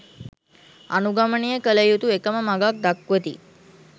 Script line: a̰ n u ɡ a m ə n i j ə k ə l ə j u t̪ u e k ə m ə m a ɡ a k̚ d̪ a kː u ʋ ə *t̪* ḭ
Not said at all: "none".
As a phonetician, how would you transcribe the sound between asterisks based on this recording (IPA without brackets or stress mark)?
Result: t̪